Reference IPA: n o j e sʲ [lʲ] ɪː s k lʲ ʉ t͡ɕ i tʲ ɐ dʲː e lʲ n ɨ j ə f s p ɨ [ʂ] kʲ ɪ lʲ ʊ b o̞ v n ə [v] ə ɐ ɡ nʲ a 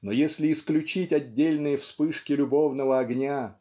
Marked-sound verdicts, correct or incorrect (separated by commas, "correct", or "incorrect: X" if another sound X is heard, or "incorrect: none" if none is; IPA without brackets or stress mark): correct, correct, correct